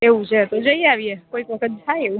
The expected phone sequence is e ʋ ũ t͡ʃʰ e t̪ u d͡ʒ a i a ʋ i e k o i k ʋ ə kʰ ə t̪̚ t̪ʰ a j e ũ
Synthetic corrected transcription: e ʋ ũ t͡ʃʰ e t̪ o d͡ʒ ə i a ʋ i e k o i k ʋ ə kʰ ə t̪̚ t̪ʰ a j e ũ